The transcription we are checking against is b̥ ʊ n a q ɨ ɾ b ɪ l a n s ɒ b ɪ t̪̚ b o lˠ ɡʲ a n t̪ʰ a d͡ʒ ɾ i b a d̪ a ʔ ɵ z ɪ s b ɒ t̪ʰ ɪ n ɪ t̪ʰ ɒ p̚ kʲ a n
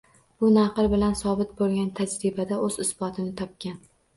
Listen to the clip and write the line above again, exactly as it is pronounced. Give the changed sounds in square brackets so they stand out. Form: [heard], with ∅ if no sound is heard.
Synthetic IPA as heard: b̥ ʊ n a q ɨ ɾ b ɪ l a n s ɒ b ɪ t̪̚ b o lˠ ɡʲ a n t̪ʰ a d͡ʒ ɾ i b a d̪ a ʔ ɵ z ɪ s b ɒ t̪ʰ ɪ n ɪ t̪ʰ ɒ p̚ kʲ a n